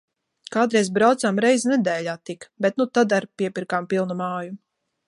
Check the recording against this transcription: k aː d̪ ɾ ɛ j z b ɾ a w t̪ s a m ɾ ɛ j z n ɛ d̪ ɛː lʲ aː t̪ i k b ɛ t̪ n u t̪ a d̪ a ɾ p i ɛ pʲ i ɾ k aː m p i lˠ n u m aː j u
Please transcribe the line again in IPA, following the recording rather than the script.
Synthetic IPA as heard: k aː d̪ ɾ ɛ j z b ɾ a w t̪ s a m ɾ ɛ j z n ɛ d̪ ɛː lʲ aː t̪ i k b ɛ t̪ n u t̪ a d̪ a ɾ p i ɛ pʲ i ɾ k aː m p i lˠ n u m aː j u

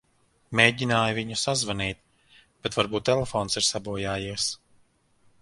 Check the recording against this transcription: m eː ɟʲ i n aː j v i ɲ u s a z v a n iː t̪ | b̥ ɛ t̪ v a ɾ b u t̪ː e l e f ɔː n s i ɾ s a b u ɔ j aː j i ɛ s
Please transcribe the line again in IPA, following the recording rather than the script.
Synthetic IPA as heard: m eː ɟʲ i n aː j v i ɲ u s a z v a n iː t̪ | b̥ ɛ t̪ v a ɾ b uː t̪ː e l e f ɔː n s i ɾ s a b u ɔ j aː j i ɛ s

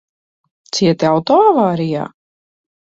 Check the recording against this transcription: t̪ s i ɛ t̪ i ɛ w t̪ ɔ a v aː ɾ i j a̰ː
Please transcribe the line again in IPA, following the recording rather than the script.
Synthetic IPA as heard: t̪ s i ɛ t̪ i a w t̪ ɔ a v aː ɾ i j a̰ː

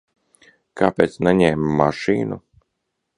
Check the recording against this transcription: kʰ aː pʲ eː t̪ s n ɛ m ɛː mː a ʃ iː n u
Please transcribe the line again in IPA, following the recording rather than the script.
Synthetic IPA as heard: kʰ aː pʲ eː t̪ s n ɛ ɲ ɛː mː a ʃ iː n u

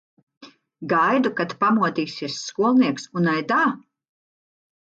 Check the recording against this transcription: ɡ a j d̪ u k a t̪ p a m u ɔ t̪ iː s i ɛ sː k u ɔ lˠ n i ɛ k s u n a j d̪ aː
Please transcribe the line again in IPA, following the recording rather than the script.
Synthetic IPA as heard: ɡ a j d̪ u k a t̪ p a m u ɔ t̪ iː s i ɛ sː k u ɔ lˠ n i ɛ k s u n a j d̪ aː

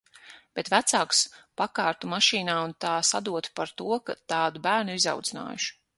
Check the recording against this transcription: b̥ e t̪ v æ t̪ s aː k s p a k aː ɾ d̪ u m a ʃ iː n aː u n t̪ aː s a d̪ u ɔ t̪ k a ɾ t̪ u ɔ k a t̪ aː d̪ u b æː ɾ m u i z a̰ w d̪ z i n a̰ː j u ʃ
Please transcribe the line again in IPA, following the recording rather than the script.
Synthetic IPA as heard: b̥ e t̪ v æ t̪ s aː k s p a k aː ɾ t̪ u m a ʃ iː n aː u n t̪ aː s a d̪ u ɔ t̪ p a ɾ t̪ u ɔ k a t̪ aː d̪ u b æː ɾ n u i z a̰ w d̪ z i n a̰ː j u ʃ

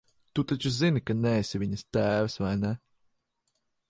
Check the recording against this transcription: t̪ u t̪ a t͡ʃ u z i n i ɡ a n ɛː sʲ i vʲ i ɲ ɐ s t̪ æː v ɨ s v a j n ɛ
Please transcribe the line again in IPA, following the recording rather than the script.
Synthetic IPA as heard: t̪ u t̪ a t͡ʃ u z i n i k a n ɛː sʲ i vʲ i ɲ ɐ s t̪ æː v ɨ s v a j n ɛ

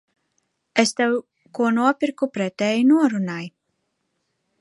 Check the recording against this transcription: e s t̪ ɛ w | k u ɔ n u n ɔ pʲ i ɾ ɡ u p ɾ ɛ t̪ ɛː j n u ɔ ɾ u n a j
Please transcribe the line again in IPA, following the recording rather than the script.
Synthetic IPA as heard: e s t̪ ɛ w | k u ɔ n u ɔ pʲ i ɾ k u p ɾ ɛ t̪ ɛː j n u ɔ ɾ u n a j

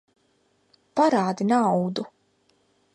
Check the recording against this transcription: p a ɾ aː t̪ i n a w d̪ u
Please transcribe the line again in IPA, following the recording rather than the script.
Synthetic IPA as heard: p a ɾ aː d̪ i n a w d̪ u

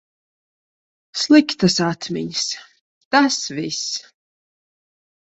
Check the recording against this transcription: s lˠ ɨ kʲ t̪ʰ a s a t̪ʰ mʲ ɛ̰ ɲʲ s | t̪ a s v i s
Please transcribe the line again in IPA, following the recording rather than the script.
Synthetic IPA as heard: s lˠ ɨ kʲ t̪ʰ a s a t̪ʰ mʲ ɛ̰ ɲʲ s | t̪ a s v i s

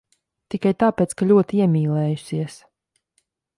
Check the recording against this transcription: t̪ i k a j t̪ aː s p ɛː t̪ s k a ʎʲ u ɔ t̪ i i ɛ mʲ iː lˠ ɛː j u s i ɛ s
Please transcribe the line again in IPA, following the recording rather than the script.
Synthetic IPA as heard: t̪ i k a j t̪ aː p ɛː t̪ s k a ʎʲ u ɔ t̪ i i ɛ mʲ iː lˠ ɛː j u s i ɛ s

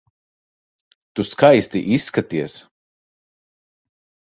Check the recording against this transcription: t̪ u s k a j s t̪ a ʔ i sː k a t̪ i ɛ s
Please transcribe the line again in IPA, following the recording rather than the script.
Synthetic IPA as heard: t̪ u s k a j s t̪ i ʔ i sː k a t̪ i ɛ s

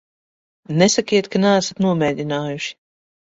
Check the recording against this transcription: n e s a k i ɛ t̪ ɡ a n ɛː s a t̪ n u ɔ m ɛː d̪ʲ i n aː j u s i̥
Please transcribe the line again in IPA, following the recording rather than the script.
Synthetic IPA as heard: n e s a k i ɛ t̪ k a n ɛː s a t̪ n u ɔ m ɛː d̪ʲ i n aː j u ʃ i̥

